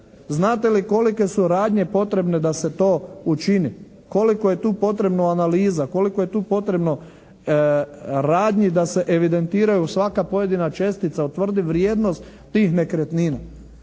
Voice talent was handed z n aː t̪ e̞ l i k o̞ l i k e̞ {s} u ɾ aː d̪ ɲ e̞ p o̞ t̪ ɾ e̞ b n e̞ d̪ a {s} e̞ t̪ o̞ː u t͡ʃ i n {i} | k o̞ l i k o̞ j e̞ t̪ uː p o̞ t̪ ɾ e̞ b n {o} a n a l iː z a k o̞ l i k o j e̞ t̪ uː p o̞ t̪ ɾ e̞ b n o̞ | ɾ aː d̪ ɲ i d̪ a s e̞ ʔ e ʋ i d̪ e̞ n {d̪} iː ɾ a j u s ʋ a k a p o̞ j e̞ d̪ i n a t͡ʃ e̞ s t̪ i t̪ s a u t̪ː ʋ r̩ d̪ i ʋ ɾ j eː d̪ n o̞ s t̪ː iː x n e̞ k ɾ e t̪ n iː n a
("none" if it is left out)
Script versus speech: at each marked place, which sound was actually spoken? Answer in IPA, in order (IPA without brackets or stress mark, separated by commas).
s, s, i, o, t̪